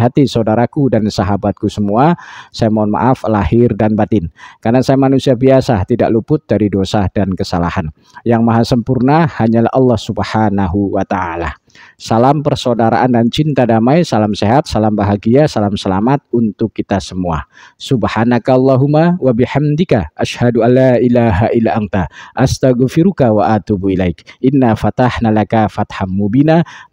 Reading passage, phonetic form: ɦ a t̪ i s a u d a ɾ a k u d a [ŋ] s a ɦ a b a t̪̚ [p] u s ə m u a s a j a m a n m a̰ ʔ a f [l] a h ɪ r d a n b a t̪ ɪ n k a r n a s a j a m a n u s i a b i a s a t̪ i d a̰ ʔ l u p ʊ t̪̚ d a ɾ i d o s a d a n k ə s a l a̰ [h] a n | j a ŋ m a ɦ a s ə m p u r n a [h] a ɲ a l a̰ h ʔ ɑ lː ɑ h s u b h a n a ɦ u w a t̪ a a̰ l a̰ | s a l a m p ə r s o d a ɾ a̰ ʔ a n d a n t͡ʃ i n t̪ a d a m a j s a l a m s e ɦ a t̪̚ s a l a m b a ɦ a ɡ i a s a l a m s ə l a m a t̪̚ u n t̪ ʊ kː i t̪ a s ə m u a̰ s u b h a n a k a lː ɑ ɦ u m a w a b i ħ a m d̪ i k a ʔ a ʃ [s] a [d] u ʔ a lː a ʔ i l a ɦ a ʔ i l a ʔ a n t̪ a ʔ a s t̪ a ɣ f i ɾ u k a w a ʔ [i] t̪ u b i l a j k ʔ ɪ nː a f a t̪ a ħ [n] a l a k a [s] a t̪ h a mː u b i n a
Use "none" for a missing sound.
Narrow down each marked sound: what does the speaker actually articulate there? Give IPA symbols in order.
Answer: n, k, l, h, h, h, d, a, n, f

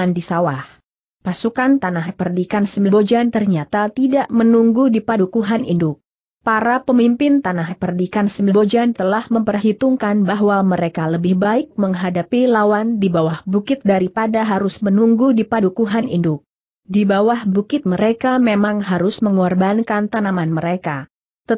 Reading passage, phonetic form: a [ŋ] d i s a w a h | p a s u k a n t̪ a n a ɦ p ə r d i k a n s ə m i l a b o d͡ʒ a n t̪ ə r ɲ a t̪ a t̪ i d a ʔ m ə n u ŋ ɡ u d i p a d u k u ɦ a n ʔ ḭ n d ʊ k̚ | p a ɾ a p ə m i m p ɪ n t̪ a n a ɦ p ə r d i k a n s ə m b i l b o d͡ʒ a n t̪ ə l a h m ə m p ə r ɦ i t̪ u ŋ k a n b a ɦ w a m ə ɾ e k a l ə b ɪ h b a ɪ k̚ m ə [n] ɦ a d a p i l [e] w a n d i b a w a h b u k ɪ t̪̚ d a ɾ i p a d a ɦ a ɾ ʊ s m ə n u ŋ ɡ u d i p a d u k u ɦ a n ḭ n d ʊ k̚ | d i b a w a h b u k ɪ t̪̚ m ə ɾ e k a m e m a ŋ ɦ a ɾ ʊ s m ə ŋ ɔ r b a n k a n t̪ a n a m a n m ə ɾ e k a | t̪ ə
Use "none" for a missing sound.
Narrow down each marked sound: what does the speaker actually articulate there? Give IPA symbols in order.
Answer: n, ŋ, a

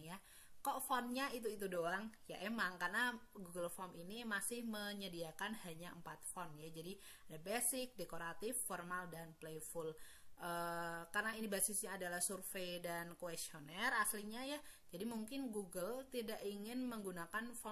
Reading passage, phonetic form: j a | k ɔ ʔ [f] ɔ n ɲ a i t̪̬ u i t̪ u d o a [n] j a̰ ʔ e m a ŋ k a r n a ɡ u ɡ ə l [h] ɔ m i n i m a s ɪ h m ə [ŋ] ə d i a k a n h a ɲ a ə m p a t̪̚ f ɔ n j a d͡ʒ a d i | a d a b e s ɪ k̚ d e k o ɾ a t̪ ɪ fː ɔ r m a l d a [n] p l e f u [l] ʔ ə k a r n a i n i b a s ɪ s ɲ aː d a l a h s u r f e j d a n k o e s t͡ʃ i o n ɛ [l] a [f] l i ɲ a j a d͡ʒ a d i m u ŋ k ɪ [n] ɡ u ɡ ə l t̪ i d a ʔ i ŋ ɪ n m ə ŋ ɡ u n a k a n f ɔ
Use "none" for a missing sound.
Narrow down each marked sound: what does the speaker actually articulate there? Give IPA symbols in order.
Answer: f, ŋ, f, ɲ, n, l, r, s, n

